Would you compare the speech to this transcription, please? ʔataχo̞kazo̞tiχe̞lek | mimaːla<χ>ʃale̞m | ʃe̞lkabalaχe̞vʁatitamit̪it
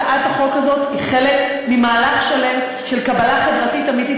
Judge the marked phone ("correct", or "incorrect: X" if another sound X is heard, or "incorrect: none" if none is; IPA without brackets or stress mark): correct